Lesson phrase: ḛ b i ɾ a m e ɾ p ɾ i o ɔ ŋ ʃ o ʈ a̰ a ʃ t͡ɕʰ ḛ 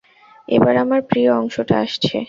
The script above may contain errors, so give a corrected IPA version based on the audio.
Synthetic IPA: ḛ b a ɾ a m a ɾ p ɾ i o ɔ ŋ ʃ o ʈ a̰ a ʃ t͡ɕʰ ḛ